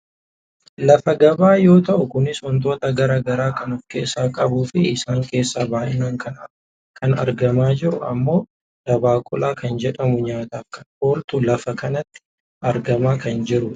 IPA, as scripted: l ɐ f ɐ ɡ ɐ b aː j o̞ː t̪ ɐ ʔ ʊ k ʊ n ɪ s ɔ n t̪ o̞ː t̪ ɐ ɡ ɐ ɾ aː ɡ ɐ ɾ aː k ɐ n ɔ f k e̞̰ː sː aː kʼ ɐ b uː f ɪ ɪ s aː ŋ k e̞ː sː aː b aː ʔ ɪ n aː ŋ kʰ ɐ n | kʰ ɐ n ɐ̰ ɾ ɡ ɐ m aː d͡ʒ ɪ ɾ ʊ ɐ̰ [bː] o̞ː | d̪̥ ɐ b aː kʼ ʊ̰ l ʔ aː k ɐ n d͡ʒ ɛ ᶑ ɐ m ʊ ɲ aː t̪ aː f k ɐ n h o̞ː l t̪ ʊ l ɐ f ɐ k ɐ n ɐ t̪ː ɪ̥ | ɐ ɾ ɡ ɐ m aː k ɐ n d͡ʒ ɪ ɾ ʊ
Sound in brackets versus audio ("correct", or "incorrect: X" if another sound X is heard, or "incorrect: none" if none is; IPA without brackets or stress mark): incorrect: mː